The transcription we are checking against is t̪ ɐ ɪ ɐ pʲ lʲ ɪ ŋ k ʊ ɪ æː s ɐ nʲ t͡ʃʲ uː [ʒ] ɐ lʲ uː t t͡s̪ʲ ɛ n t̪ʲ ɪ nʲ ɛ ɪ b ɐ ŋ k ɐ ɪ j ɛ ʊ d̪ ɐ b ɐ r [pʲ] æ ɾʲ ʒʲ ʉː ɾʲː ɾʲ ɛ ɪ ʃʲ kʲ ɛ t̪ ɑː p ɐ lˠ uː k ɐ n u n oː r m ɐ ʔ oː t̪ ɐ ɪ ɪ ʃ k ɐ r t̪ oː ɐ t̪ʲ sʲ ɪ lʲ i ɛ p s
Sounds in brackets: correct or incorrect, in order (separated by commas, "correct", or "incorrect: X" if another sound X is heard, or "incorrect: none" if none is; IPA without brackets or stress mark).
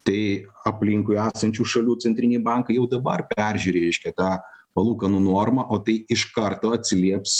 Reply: incorrect: ʃ, correct